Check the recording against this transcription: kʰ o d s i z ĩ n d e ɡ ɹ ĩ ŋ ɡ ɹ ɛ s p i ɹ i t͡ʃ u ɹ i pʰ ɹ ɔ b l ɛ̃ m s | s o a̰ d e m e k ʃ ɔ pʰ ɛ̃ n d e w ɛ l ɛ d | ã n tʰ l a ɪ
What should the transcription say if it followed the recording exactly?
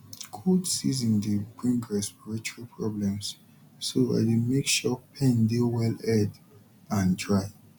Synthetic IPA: kʰ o d s i z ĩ n d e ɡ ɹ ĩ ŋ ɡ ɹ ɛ s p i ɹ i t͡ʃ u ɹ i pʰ ɹ ɔ b l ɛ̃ m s | s o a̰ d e m e k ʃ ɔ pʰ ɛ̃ n d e w ɛ l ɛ d | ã n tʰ ɹ a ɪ